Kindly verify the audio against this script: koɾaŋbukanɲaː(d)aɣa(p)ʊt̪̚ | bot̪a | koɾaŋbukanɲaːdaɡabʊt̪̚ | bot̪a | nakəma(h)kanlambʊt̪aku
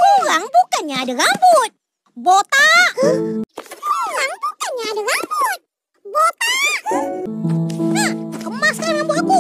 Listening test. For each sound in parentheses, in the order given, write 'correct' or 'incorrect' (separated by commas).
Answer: correct, incorrect, incorrect